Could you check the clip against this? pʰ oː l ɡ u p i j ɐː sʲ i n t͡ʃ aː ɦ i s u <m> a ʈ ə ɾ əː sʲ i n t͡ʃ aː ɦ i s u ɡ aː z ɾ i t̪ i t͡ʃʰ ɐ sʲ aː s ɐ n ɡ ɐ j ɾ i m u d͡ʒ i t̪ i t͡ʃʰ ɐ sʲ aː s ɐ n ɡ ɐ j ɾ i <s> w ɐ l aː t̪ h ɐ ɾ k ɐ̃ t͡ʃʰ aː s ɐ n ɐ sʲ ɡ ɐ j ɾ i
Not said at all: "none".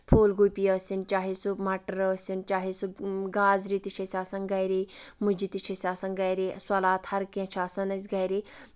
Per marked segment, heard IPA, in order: m, s

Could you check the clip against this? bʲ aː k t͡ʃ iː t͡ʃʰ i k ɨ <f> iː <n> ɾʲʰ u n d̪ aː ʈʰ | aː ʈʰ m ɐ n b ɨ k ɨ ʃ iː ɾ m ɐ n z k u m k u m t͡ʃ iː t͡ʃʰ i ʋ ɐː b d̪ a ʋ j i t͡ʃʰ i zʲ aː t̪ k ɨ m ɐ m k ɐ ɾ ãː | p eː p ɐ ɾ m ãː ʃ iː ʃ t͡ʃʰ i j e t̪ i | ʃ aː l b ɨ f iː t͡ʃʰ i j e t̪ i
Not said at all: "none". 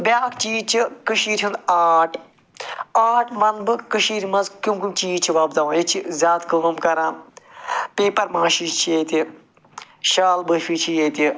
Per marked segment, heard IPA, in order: ʃ, none

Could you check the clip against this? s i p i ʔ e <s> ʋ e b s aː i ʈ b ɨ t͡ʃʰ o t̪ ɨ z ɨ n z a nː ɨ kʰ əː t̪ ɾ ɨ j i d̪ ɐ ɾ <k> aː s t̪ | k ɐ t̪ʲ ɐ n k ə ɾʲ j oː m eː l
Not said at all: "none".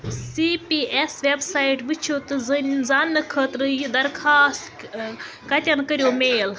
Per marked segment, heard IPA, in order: s, kʰ

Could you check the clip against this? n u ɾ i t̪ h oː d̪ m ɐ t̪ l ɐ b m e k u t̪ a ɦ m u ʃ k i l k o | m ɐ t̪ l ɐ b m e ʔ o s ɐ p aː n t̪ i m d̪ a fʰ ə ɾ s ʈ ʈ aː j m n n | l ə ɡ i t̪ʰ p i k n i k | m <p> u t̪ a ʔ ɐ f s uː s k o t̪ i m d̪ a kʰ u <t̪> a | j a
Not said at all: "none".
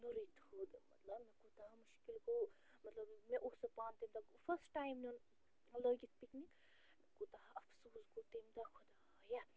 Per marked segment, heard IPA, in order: k, d̪

